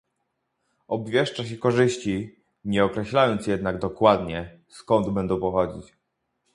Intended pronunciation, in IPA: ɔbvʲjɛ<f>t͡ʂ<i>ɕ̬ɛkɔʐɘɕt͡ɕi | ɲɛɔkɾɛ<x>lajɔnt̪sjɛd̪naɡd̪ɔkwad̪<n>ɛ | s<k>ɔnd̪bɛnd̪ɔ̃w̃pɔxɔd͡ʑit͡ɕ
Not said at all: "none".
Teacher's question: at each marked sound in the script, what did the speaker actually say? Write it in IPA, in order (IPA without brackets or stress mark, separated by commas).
ʂ, a, ɕ, ɲ, k